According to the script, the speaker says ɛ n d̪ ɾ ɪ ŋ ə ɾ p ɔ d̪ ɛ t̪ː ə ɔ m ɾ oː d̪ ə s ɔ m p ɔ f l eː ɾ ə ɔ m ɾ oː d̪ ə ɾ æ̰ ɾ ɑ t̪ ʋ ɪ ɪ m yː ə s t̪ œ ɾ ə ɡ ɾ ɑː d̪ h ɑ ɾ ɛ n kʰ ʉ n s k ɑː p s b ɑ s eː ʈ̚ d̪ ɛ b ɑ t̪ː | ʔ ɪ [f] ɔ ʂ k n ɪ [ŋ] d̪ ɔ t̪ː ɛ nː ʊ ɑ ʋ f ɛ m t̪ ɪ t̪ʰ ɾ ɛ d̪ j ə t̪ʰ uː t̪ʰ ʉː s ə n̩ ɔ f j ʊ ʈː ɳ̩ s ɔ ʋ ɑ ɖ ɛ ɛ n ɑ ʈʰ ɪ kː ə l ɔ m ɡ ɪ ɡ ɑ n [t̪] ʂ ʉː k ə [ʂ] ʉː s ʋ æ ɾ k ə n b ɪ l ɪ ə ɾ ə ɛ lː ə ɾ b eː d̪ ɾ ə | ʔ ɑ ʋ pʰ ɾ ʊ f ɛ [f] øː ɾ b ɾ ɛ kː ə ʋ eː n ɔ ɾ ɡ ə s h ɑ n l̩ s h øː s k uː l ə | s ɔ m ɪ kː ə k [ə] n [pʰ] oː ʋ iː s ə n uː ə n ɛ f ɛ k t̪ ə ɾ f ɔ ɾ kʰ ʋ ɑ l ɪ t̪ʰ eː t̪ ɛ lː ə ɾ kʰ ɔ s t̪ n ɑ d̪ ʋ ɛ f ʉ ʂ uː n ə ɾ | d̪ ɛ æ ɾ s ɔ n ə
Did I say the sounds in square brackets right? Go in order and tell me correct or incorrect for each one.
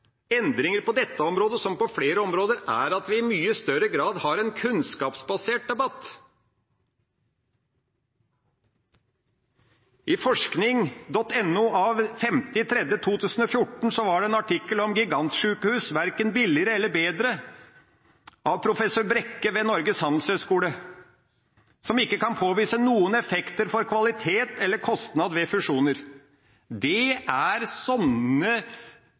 correct, correct, correct, incorrect: h, incorrect: s, incorrect: ɑ, correct

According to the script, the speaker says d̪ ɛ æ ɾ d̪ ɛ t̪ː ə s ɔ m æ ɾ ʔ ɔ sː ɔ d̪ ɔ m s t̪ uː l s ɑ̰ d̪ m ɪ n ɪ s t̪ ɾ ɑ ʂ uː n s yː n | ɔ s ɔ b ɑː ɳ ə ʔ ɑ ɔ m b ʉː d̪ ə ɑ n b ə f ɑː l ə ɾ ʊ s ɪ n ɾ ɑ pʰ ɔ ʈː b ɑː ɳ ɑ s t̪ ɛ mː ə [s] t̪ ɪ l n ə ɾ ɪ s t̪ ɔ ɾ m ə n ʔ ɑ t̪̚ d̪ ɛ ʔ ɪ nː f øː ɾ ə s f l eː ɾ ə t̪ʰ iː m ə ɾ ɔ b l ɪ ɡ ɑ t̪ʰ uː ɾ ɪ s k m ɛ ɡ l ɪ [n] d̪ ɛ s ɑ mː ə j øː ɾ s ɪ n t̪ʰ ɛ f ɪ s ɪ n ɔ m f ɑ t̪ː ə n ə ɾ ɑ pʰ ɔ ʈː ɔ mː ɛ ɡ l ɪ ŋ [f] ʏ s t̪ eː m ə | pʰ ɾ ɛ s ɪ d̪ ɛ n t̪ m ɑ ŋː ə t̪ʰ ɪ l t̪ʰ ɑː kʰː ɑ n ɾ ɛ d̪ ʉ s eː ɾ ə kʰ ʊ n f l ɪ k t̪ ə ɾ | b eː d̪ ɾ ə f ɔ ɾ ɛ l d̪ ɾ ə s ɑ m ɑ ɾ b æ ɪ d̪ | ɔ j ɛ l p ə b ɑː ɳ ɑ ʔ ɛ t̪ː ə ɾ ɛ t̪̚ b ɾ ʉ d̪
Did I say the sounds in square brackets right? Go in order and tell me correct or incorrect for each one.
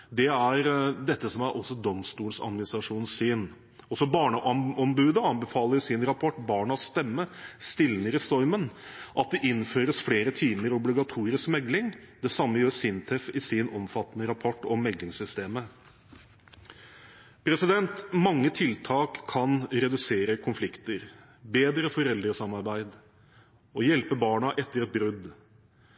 correct, incorrect: ŋ, incorrect: s

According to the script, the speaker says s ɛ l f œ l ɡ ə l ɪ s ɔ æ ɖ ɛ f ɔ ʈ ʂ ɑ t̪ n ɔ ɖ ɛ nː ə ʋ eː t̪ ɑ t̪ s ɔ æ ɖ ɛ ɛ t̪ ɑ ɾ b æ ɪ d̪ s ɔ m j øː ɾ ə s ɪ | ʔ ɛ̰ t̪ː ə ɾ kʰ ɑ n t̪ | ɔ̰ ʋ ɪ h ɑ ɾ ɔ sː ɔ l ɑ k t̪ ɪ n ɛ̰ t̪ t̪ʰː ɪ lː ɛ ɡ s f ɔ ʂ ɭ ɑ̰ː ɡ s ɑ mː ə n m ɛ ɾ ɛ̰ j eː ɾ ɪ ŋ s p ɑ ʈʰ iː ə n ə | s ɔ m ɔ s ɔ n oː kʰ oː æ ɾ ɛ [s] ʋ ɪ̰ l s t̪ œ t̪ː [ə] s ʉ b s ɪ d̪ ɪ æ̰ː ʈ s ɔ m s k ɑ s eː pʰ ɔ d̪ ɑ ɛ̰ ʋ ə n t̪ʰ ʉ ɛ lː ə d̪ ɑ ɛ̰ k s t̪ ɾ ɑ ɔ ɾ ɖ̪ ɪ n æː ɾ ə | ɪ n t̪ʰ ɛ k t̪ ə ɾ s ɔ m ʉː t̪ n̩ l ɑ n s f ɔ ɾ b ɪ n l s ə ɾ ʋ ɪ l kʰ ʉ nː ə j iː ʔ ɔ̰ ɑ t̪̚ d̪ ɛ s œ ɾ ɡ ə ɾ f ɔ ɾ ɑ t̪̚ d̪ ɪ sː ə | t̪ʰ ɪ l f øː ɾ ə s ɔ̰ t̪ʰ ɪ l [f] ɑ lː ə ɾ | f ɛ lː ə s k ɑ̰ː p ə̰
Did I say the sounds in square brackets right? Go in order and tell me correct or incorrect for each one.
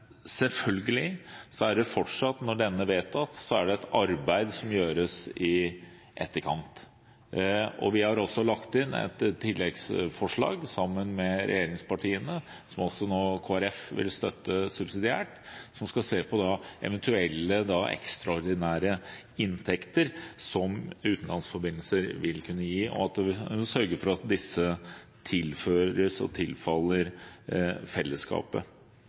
incorrect: f, correct, correct

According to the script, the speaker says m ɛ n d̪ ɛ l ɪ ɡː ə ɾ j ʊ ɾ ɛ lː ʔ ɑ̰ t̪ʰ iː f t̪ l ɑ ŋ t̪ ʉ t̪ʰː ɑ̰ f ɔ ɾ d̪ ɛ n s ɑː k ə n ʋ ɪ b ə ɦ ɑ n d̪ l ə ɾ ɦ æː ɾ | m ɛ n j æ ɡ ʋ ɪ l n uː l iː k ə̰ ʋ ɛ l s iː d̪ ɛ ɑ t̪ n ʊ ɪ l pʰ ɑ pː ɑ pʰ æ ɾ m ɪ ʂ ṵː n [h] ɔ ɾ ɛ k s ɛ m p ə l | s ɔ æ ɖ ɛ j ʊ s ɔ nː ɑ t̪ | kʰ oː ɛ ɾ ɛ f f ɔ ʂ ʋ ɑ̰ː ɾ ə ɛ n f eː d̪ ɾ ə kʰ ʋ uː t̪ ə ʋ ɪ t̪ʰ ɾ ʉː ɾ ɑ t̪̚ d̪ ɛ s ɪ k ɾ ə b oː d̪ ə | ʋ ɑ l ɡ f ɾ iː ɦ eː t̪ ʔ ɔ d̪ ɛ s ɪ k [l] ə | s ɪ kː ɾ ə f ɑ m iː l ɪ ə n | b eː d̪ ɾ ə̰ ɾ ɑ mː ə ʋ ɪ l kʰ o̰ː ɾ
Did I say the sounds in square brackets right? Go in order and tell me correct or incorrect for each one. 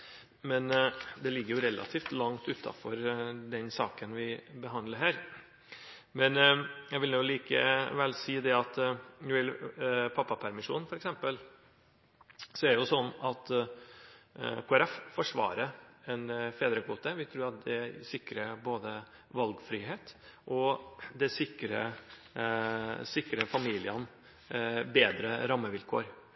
incorrect: f, incorrect: ɾ

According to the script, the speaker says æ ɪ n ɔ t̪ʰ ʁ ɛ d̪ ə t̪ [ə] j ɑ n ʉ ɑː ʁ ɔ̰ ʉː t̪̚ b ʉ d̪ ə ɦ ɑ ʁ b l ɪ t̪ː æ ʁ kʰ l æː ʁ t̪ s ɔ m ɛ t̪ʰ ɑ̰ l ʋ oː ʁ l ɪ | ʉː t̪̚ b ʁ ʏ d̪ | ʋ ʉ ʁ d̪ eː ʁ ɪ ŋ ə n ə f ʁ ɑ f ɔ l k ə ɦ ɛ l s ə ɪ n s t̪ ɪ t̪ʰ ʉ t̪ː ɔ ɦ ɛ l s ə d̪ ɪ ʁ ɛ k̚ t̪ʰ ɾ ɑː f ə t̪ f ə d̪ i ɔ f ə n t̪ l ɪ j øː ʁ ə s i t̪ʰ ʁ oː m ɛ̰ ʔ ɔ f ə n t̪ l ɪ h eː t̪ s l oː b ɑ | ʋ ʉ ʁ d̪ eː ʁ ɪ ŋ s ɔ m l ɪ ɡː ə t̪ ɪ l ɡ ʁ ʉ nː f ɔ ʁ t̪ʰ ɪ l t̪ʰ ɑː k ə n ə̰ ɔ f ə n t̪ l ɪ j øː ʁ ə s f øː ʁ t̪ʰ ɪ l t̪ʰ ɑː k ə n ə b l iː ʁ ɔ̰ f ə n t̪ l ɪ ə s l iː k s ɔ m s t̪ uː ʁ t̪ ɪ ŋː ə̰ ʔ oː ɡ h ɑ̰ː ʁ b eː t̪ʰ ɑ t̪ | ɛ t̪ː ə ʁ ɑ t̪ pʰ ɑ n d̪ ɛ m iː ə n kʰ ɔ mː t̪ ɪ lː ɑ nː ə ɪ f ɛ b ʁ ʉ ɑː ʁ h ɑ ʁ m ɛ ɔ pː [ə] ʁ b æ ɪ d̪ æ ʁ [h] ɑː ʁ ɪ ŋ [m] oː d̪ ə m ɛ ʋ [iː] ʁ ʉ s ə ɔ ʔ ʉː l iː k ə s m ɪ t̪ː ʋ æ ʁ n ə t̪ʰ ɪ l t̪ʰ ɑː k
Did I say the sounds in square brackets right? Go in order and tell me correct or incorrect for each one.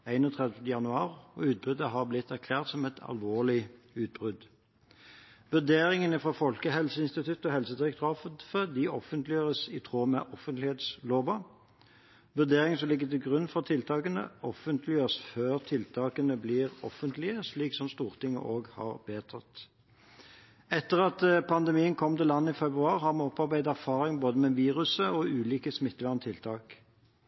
correct, incorrect: ɑ, incorrect: f, incorrect: b, correct

